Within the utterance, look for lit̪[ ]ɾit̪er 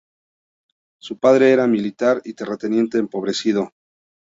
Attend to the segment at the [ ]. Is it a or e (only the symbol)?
a